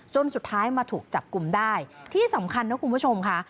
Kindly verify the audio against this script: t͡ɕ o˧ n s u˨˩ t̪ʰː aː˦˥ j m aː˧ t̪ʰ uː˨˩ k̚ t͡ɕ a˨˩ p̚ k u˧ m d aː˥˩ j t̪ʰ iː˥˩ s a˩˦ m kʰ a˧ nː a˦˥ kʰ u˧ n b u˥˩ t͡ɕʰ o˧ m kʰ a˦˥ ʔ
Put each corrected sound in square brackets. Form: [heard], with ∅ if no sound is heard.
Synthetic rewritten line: t͡ɕ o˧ n s u˨˩ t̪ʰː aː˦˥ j m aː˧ t̪ʰ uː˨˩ k̚ t͡ɕ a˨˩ p̚ k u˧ m d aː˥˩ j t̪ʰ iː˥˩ s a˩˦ m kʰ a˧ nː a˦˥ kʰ u˧ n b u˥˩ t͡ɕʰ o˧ m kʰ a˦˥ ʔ

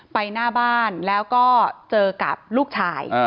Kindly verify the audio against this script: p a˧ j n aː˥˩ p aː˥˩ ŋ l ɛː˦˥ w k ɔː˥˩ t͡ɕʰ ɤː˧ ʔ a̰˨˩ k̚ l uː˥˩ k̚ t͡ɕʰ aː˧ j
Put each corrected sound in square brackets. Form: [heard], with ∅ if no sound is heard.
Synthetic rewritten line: p a˧ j n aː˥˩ [b] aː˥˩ [n] l ɛː˦˥ w k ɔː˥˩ [t͡ɕ] ɤː˧ [k] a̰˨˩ [p̚] l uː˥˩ k̚ t͡ɕʰ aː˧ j

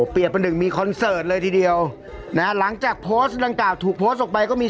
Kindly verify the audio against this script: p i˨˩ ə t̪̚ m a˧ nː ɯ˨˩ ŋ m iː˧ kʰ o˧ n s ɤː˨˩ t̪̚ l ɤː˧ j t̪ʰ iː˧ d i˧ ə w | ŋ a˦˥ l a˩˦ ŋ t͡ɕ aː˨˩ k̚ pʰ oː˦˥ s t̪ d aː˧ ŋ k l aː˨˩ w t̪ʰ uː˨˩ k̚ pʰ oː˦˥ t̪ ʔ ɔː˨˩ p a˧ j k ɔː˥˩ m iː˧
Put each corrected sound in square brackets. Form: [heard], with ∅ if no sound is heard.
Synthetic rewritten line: p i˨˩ ə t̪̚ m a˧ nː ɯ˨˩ ŋ m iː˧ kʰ [ɔ˧] n s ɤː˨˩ t̪̚ l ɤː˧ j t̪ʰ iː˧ d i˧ ə w | [n] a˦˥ l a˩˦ ŋ t͡ɕ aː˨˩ k̚ pʰ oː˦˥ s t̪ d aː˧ ŋ k l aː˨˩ w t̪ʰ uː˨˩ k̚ pʰ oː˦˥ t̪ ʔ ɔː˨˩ p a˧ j k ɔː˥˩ m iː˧

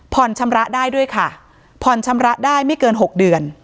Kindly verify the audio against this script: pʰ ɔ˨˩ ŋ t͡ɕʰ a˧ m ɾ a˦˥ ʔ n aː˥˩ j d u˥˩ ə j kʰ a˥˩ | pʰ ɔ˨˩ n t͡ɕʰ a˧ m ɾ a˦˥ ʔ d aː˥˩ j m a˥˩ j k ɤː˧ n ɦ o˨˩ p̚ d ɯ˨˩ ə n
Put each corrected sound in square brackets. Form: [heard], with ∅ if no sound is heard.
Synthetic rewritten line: pʰ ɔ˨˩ [n] t͡ɕʰ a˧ m ɾ a˦˥ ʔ [d] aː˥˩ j d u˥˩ ə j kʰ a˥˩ | pʰ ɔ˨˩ n t͡ɕʰ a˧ m ɾ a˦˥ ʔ d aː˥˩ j m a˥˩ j k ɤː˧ n ɦ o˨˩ [k̚] d ɯ˨˩ ə n

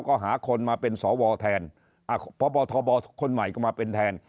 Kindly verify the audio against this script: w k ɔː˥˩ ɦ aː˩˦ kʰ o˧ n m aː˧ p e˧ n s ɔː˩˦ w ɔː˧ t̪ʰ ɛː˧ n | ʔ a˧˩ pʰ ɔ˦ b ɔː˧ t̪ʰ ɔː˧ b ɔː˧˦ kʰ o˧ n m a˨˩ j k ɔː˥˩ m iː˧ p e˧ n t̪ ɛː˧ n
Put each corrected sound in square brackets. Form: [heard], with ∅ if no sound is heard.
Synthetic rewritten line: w k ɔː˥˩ ɦ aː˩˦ kʰ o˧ n m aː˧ p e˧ n s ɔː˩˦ w ɔː˧ t̪ʰ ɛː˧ n | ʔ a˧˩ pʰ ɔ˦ b ɔː˧ t̪ʰ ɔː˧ b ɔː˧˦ kʰ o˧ n m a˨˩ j k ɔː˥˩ m [aː˧] p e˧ n [t̪ʰ] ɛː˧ n

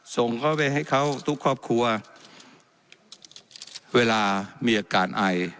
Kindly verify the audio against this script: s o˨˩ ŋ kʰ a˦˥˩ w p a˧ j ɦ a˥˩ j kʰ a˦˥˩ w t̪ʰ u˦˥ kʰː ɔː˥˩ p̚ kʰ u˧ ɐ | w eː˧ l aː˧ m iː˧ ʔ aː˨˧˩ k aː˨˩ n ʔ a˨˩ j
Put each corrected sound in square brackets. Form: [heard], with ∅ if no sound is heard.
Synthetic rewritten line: s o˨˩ ŋ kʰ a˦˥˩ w p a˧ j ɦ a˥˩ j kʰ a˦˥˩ w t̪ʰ u˦˥ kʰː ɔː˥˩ p̚ kʰ u˧ ɐ | w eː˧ l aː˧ m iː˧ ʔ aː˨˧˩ k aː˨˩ n ʔ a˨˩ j

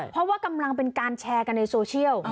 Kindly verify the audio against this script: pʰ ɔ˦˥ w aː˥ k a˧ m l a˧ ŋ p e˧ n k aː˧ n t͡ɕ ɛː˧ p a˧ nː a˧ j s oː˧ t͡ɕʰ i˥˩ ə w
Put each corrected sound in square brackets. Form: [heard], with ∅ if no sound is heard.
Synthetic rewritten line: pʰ ɔ˦˥ w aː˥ k a˧ m l a˧ ŋ p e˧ n k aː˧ n [t͡ɕʰ] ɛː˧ [k] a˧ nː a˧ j s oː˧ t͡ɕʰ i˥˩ ə w

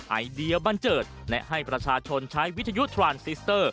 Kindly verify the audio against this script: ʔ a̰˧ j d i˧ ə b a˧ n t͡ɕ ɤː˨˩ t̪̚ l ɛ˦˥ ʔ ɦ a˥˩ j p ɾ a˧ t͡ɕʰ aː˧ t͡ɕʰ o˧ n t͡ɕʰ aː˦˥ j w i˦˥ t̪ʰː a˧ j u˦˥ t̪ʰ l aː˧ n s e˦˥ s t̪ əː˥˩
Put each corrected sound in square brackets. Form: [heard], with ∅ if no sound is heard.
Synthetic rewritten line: ʔ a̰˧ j d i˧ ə b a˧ n t͡ɕ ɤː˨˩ t̪̚ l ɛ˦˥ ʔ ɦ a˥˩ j p ɾ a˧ t͡ɕʰ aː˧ t͡ɕʰ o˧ n t͡ɕʰ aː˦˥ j w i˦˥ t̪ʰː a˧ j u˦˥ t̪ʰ [ɾ] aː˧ n s [i˦˥] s t̪ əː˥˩

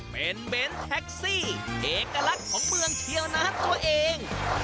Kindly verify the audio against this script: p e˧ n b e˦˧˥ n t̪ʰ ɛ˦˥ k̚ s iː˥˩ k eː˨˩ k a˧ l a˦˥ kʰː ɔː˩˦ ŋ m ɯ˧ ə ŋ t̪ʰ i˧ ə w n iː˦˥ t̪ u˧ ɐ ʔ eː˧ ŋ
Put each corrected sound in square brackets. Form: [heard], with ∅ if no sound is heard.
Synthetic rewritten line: p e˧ n b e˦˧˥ n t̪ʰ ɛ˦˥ k̚ s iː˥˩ [ʔ] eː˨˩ k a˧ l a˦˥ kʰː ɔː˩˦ ŋ m ɯ˧ ə ŋ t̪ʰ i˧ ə w n [aː˦˥] t̪ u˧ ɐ ʔ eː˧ ŋ

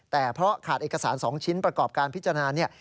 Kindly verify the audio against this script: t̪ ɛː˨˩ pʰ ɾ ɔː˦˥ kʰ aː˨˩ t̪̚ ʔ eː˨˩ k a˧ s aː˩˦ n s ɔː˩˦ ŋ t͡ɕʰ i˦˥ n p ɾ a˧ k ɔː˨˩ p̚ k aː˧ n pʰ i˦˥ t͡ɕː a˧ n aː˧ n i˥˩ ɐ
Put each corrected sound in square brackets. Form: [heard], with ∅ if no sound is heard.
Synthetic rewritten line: t̪ ɛː˨˩ pʰ ɾ [ɔ˦˥] kʰ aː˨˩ t̪̚ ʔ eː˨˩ k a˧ s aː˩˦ n s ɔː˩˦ ŋ t͡ɕʰ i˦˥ n p ɾ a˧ k ɔː˨˩ p̚ k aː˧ n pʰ i˦˥ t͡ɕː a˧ n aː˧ n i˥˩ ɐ

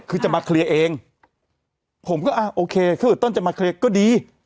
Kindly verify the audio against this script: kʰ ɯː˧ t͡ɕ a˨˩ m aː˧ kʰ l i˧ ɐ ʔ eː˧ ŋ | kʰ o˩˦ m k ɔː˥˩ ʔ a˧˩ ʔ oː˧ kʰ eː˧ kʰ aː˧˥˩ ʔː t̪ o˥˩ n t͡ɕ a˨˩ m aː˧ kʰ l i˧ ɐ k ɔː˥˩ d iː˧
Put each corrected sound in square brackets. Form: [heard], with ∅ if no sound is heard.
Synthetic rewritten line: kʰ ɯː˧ t͡ɕ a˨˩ m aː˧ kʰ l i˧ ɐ ʔ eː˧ ŋ | [pʰ] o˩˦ m k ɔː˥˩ ʔ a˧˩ ʔ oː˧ kʰ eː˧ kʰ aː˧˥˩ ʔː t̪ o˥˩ n t͡ɕ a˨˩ m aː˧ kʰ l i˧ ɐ k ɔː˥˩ d iː˧

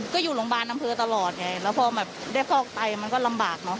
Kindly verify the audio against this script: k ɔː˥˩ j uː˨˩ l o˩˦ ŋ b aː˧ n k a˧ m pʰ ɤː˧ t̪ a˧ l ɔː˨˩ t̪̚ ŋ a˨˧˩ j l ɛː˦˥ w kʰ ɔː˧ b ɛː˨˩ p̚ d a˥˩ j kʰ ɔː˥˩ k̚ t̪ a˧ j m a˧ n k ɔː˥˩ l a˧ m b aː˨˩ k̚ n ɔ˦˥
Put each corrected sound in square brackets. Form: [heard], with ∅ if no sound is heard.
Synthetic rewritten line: k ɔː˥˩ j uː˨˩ l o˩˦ ŋ b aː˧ n [ʔ] a˧ m pʰ ɤː˧ t̪ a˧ l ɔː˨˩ t̪̚ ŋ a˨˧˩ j l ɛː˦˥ w [pʰ] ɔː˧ b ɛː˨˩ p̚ d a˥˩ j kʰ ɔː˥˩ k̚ t̪ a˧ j m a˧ n k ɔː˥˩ l a˧ m b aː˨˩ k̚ n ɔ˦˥

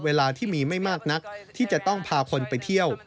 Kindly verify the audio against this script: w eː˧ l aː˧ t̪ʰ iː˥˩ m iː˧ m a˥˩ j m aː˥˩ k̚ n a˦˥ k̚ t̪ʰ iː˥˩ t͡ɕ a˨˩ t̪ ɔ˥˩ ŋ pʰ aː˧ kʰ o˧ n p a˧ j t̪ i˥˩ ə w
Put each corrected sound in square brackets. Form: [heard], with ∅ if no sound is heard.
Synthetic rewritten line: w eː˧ l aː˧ t̪ʰ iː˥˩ m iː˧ m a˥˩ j m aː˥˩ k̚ n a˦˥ k̚ t̪ʰ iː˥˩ t͡ɕ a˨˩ t̪ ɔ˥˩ ŋ pʰ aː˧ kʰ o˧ n p a˧ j [t̪ʰ] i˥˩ ə w

